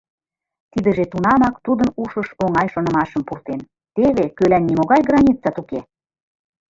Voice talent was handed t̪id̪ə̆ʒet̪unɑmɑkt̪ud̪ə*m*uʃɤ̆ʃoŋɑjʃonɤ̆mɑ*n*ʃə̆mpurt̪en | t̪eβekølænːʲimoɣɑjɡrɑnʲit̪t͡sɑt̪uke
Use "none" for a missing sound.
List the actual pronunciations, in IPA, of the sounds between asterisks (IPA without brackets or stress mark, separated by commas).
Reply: n, none